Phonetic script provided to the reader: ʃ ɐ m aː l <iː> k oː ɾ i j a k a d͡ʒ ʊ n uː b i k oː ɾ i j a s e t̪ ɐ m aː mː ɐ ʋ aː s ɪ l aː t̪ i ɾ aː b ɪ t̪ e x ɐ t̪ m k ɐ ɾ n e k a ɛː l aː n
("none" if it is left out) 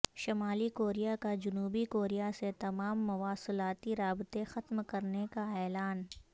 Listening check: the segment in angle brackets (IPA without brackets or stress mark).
i